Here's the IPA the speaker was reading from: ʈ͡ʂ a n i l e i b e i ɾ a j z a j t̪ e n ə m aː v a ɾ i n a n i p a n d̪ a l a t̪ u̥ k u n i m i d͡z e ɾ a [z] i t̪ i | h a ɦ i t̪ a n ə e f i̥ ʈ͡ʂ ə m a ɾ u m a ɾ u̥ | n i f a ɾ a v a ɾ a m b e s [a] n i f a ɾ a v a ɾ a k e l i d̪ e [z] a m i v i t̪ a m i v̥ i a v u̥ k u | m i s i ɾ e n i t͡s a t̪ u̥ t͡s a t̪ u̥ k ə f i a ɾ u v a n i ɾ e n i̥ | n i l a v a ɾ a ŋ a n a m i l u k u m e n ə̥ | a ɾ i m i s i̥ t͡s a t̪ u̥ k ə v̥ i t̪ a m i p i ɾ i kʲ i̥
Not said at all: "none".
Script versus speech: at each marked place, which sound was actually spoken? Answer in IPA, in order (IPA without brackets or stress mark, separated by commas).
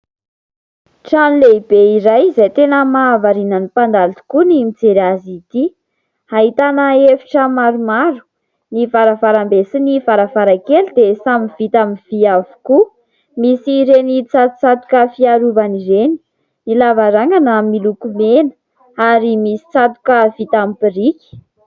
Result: z, i, s